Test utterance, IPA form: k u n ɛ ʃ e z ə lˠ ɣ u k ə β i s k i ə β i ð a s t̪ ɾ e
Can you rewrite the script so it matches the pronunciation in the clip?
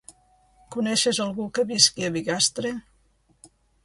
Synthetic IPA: k u n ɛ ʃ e z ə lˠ ɣ u k ə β i s k i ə β i ɣ a s t̪ ɾ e